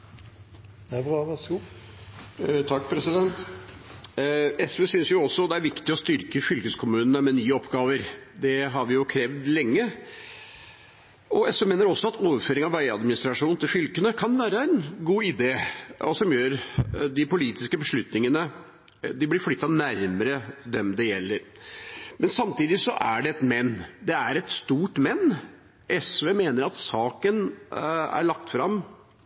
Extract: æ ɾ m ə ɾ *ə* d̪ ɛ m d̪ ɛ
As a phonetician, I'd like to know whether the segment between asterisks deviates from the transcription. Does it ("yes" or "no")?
no